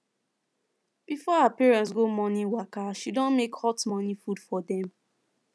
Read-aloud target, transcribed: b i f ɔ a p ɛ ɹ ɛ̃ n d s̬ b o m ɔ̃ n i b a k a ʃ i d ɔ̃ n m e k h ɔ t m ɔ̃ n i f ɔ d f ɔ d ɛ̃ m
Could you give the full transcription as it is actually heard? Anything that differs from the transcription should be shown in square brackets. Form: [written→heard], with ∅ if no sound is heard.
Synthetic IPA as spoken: b i f ɔ a p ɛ ɹ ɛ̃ n [d→t] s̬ [b→ɡ] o m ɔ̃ n i [b→w] a k a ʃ i d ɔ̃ n m e k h ɔ t m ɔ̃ n i f [ɔ→u] d f ɔ d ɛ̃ m